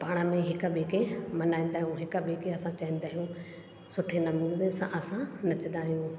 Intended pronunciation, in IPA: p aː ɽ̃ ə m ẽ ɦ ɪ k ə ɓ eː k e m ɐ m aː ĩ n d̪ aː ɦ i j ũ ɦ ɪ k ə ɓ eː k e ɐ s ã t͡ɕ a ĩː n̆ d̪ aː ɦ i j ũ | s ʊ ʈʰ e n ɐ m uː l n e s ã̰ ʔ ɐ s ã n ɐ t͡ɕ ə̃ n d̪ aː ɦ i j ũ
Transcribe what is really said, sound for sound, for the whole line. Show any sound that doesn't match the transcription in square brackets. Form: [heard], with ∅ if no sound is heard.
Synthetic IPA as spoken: p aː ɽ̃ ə m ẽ ɦ ɪ k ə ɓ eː k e m ɐ [n] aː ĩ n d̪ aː ɦ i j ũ ɦ ɪ k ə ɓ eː k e ɐ s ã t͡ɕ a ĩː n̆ d̪ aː ɦ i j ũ | s ʊ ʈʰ e n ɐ m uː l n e s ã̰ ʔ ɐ s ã n ɐ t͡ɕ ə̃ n d̪ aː ɦ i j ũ